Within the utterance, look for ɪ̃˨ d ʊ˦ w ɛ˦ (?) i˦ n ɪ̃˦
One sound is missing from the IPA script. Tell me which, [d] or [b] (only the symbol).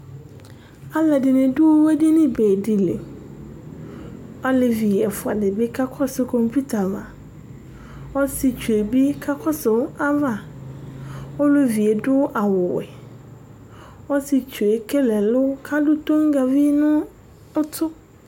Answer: d